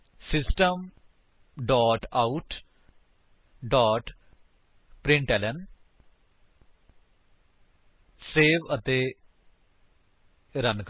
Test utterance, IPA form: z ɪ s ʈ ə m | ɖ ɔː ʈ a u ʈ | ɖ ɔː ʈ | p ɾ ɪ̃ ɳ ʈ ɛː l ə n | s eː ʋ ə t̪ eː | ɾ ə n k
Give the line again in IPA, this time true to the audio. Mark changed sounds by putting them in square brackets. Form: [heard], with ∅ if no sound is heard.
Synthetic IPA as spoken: [s] ɪ s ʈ ə m | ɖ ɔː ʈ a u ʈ | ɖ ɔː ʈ | p ɾ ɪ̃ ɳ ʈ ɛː l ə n | s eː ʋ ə t̪ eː | ɾ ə n k